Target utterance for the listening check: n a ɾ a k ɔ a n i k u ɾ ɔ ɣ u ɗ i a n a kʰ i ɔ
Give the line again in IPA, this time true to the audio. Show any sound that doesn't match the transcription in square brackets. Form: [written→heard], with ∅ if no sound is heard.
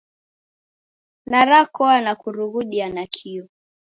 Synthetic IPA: n a ɾ a k ɔ a n [i→a] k u ɾ [ɔ→u] ɣ u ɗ i a n a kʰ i ɔ